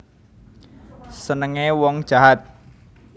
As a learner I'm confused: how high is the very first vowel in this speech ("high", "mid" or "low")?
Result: mid